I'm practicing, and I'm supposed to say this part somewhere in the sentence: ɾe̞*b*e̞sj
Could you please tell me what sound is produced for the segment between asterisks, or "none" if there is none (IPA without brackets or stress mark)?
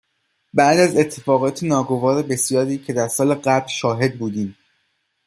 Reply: b